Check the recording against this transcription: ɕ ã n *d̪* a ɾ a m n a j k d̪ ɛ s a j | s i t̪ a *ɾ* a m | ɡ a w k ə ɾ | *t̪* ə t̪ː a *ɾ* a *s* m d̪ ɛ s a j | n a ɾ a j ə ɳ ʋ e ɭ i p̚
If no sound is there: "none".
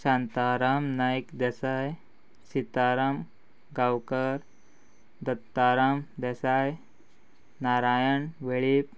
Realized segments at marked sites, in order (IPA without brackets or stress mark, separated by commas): t̪, ɾ, d̪, ɾ, none